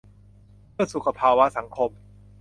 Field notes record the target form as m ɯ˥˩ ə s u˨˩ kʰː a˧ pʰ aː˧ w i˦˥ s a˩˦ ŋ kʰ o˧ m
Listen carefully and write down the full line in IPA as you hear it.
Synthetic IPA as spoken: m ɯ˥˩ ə s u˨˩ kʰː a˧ pʰ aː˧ w a˦˥ s a˩˦ ŋ kʰ o˧ m